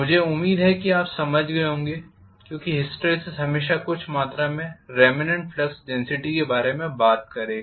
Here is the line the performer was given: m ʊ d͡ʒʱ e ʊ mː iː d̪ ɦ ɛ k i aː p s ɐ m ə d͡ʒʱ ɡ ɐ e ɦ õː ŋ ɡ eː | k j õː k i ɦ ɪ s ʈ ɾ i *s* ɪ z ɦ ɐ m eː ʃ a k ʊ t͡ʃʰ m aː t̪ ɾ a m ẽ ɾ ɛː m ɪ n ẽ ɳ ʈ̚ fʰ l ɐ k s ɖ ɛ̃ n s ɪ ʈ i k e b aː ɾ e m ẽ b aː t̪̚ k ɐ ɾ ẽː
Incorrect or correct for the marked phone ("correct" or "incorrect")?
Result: correct